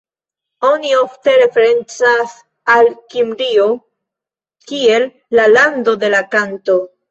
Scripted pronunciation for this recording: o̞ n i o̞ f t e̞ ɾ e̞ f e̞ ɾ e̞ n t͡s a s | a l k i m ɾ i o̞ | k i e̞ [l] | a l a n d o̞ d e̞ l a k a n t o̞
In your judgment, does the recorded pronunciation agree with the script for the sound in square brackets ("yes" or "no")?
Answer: no